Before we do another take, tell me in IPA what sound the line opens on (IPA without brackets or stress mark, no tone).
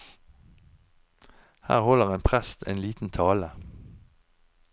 h